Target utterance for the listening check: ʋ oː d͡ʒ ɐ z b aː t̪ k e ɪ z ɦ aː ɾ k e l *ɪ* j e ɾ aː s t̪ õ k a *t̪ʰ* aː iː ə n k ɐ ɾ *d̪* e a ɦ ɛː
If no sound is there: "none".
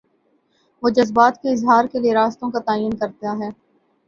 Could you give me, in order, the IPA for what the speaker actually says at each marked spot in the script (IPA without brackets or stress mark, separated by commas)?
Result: i, t̪, t̪